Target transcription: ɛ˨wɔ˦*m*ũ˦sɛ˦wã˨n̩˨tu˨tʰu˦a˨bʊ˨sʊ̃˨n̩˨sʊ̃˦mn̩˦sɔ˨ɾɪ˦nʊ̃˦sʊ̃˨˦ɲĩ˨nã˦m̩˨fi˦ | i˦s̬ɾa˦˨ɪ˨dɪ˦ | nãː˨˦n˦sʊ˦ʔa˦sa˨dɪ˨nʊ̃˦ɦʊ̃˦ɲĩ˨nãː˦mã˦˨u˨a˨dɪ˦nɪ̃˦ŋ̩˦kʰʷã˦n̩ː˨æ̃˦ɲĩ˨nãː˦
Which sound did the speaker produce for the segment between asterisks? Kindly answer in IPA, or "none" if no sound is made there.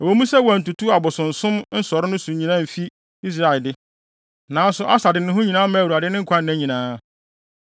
m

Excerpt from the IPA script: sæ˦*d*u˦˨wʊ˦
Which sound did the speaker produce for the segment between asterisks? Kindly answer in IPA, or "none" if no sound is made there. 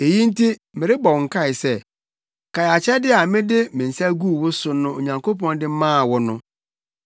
ɡ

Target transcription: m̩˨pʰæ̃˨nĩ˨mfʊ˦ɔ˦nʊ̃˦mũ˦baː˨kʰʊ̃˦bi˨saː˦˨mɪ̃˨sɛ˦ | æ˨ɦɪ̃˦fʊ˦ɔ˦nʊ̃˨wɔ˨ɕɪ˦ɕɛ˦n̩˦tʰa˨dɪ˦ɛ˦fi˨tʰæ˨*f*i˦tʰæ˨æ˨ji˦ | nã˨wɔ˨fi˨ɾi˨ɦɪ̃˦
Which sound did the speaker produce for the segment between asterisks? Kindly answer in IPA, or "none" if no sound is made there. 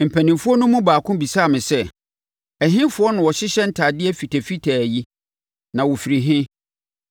f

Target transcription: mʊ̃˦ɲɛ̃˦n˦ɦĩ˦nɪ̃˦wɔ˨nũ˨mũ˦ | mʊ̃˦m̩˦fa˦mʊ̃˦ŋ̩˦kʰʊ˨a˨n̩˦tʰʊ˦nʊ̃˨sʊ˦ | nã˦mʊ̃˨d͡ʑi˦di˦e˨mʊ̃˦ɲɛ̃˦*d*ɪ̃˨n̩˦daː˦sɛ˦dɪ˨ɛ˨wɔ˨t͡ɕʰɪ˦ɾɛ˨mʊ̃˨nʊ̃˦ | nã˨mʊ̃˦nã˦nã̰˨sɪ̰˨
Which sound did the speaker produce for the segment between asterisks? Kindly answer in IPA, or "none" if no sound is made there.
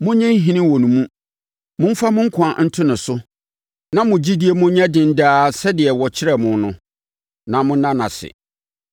d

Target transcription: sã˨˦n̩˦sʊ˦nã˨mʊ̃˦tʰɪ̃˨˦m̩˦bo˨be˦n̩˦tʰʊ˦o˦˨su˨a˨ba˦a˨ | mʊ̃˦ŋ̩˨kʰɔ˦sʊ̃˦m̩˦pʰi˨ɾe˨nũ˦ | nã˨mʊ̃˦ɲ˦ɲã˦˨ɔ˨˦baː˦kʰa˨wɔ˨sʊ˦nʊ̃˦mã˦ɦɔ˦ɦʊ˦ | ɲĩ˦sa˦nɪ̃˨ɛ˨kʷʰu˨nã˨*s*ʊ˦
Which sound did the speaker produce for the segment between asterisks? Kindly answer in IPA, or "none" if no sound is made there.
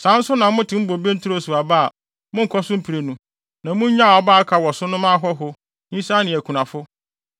f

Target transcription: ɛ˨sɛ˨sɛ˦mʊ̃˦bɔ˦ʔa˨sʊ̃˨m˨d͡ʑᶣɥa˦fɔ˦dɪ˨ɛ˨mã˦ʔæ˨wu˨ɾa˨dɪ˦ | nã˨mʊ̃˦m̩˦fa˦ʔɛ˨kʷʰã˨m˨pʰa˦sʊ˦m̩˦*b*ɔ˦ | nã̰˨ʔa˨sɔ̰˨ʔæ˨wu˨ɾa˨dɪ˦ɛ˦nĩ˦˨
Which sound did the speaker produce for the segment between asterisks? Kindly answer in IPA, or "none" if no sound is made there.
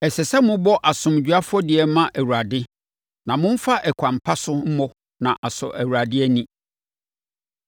m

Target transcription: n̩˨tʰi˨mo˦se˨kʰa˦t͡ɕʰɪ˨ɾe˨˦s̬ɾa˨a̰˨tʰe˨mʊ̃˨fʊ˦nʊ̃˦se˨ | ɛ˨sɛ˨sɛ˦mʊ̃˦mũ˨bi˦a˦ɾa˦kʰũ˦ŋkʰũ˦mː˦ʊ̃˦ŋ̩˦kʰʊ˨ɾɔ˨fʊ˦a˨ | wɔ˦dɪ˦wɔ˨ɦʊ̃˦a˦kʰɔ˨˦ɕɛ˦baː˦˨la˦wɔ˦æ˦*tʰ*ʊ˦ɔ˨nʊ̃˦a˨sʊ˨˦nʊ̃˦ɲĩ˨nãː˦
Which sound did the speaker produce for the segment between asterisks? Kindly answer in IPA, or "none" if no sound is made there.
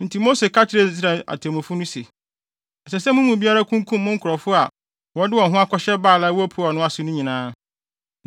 pʰ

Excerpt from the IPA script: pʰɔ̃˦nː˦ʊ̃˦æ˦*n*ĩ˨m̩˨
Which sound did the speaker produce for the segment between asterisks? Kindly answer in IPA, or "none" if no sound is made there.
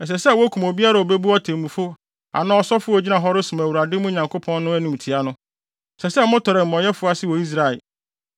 n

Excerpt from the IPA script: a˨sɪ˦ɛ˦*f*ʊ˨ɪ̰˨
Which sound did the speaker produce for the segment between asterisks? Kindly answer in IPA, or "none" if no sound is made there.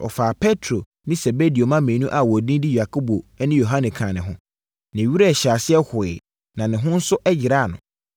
h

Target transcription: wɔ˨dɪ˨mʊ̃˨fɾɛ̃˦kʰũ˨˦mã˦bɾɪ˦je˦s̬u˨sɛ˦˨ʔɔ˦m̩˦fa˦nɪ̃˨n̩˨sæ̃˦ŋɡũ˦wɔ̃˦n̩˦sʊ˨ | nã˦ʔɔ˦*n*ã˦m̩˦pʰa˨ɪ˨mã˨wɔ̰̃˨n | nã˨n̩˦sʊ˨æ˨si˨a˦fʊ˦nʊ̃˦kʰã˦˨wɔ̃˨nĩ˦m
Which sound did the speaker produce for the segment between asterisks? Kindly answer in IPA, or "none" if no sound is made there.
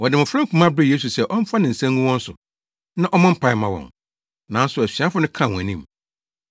m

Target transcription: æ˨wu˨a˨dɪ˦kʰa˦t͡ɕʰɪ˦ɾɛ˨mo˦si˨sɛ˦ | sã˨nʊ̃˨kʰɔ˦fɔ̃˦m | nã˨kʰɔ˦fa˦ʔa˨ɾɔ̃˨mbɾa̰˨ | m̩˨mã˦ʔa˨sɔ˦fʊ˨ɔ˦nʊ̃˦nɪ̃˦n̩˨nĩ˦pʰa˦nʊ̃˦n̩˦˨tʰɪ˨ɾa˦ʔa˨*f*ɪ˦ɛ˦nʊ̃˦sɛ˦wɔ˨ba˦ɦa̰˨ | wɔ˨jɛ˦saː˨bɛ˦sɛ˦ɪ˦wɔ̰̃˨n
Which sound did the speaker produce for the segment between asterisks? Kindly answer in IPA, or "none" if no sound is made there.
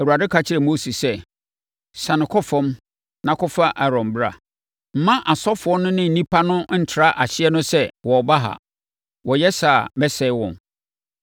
ɕ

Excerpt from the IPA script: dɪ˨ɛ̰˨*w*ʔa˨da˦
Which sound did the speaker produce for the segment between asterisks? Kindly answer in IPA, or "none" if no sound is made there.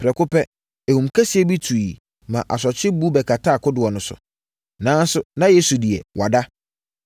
w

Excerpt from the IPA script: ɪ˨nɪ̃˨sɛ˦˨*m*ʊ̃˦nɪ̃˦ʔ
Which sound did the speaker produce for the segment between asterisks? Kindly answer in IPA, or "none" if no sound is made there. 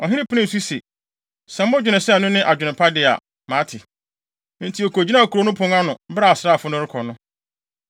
n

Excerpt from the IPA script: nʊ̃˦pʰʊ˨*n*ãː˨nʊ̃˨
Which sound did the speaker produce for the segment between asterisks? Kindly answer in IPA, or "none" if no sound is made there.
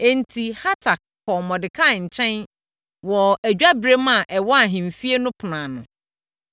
n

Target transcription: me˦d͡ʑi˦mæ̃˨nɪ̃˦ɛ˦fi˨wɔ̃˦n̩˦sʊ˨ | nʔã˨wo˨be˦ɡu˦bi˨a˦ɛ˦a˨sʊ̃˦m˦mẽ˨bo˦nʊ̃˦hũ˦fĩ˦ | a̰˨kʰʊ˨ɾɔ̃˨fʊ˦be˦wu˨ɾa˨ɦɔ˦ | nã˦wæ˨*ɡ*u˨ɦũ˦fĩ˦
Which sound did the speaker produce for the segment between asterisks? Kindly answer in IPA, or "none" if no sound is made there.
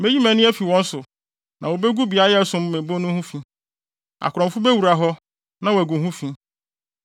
ɡ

